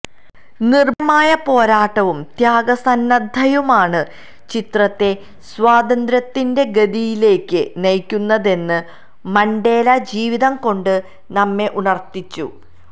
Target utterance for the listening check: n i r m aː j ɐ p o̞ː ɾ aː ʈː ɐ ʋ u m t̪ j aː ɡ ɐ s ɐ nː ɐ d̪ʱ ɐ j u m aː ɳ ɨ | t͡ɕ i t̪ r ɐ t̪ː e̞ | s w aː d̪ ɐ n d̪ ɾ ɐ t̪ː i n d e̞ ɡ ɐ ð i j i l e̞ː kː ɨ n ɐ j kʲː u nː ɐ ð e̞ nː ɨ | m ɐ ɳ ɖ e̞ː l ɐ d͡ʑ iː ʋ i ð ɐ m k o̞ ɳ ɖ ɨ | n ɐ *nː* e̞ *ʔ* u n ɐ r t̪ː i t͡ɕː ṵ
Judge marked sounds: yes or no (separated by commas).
no, yes